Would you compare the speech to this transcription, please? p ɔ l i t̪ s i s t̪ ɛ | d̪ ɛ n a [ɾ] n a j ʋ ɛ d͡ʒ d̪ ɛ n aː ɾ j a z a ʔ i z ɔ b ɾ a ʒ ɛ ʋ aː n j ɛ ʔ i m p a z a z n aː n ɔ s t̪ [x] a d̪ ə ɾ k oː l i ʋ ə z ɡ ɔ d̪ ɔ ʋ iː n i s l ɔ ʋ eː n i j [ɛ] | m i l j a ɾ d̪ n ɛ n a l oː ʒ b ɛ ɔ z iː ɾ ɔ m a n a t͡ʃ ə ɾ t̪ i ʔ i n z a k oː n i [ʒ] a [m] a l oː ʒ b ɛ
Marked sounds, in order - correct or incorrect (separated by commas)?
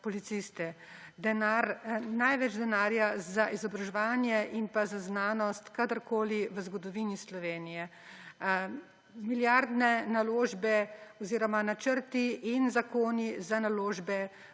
correct, incorrect, correct, incorrect, incorrect